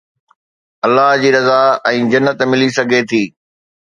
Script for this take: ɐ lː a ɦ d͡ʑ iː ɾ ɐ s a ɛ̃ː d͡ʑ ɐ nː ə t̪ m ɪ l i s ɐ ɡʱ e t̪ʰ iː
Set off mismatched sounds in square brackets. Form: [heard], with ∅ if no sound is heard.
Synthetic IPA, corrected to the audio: ɐ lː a ɦ d͡ʑ iː ɾ ɐ [z] a ɛ̃ː d͡ʑ ɐ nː ə t̪ m ɪ l i s ɐ ɡʱ e t̪ʰ iː